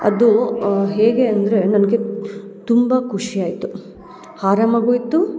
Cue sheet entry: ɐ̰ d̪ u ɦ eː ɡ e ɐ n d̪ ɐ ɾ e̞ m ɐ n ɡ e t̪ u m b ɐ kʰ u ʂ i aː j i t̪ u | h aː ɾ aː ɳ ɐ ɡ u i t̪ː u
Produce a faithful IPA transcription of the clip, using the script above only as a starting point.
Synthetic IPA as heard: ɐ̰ d̪ u ɦ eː ɡ e ɐ n d̪ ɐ ɾ e̞ n ɐ n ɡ e t̪ u m b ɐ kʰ u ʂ i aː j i t̪ u | h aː ɾ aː m ɐ ɡ u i t̪ː u